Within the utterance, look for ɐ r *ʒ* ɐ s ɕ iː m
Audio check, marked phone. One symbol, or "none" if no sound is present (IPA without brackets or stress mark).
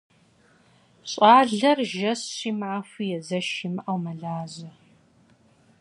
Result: ʒ